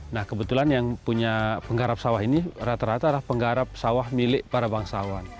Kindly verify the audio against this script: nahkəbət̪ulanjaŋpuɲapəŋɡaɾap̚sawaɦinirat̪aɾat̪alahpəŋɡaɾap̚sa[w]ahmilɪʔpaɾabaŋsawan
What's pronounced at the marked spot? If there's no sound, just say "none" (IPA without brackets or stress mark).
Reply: w